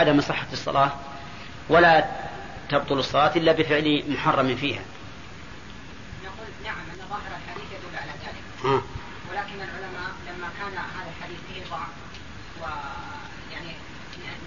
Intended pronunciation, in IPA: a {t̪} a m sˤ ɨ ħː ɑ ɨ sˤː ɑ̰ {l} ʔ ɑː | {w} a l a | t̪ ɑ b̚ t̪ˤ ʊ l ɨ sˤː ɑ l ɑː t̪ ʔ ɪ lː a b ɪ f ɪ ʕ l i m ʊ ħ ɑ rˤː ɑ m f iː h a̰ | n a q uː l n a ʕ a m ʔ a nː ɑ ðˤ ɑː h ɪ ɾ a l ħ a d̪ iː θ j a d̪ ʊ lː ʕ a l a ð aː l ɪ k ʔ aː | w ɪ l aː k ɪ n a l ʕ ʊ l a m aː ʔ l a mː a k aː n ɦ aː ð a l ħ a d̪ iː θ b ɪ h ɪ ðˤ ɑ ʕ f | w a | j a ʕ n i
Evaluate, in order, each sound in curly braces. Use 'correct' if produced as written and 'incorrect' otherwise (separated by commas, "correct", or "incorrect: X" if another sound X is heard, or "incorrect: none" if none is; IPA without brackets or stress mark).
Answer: incorrect: d̪, correct, correct